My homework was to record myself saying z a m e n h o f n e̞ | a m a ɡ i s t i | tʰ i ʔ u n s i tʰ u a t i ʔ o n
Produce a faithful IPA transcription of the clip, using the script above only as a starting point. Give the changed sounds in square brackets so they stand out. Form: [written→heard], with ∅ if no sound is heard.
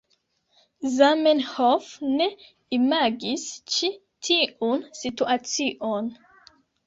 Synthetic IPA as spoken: z a m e n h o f n e̞ | [a→i] m a ɡ i s [t→t͡ʃ] i | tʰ i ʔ u n s i [tʰ→t] u a [t→t͡s] i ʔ o n